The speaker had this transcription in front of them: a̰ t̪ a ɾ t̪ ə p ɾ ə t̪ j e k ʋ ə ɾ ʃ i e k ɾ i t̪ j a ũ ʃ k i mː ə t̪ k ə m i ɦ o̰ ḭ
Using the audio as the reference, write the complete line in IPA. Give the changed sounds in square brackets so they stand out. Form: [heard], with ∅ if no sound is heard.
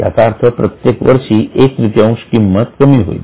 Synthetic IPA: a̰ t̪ a ɾ [t̪ʰ] ə p ɾ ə t̪ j e k ʋ ə ɾ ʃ i e k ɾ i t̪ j a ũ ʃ k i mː ə t̪ k ə m i ɦ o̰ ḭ